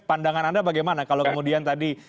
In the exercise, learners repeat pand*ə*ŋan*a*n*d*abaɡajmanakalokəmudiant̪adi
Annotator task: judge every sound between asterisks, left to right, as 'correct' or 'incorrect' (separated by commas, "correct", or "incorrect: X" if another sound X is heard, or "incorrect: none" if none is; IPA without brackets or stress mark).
incorrect: a, correct, correct